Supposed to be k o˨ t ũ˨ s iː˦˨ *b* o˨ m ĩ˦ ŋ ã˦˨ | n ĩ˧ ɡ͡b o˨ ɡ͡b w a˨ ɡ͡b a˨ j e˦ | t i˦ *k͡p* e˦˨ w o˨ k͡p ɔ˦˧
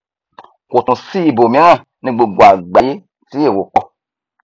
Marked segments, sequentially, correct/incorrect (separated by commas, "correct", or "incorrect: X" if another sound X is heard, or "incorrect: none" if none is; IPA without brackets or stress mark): correct, incorrect: none